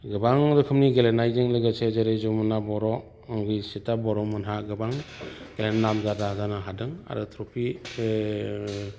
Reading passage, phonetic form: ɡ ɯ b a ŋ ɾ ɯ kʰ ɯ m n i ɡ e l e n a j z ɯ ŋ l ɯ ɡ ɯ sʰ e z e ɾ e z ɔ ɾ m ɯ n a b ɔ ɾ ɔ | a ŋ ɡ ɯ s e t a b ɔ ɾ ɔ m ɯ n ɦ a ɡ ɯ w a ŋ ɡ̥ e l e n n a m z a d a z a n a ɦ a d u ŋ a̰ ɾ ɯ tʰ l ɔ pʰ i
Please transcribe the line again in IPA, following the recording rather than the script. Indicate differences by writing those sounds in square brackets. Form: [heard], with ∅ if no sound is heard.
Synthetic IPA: ɡ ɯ b a ŋ ɾ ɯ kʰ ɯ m n i ɡ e l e n a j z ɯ ŋ l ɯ ɡ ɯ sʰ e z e ɾ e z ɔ [∅] m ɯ n a b ɔ ɾ ɔ | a ŋ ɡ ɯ s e t a b ɔ ɾ ɔ m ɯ n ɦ a ɡ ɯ [b] a ŋ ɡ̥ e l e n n a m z a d a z a n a ɦ a d [ɯ] ŋ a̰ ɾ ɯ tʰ [ɾ] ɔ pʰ i